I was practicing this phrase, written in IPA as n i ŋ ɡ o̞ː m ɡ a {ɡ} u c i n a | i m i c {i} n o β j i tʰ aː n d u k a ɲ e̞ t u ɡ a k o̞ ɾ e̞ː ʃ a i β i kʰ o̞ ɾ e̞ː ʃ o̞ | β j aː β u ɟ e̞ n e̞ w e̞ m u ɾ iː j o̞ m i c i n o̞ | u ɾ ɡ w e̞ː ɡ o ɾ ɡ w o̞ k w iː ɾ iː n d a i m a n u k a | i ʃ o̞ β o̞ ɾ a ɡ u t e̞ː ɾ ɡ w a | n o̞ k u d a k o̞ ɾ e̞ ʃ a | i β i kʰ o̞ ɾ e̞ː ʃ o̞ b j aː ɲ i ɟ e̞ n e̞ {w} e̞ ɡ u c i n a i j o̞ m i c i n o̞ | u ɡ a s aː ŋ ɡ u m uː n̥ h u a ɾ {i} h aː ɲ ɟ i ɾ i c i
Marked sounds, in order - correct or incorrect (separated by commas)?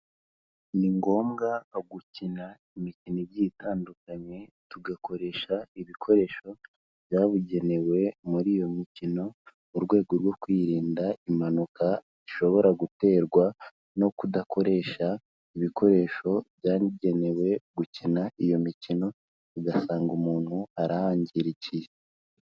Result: correct, correct, correct, incorrect